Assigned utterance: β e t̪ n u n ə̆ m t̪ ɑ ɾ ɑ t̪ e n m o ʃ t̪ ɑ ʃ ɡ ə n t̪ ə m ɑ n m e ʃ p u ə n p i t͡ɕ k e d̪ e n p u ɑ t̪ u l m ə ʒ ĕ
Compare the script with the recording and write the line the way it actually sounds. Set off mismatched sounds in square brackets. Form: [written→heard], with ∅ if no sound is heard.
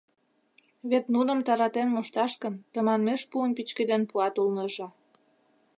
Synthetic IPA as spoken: β e t̪ n u n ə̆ m t̪ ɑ ɾ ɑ t̪ e n m o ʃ t̪ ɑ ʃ [ɡ→k] ə n t̪ ə m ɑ n m e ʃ p u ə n p i t͡ɕ k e d̪ e n p u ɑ t̪ u l [m→n] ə ʒ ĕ